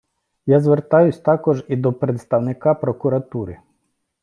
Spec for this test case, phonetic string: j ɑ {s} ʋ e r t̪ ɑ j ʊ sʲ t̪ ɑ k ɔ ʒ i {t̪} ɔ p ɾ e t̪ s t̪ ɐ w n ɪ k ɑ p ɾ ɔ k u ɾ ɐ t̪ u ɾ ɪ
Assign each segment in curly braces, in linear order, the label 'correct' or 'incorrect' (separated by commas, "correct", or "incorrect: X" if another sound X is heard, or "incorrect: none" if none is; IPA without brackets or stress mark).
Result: incorrect: z, incorrect: d̪